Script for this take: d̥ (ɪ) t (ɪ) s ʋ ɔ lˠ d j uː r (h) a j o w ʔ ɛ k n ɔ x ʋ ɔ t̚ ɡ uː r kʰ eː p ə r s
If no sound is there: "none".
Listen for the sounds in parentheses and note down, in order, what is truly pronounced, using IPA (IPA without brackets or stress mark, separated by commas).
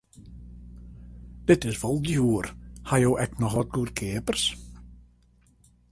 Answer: ɪ, ɪ, h